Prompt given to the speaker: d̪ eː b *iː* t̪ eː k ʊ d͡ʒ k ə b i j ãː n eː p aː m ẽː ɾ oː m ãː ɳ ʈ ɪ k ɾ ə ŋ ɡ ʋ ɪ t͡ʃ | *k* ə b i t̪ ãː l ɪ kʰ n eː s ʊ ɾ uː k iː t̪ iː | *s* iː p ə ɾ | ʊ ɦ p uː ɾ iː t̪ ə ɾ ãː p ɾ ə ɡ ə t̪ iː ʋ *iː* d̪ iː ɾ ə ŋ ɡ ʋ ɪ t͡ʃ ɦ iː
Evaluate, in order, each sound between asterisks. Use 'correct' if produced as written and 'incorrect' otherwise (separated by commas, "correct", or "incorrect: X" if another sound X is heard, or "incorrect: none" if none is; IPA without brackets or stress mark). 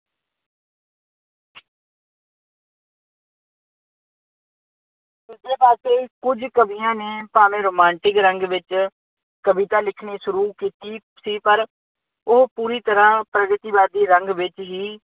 incorrect: aː, correct, correct, incorrect: aː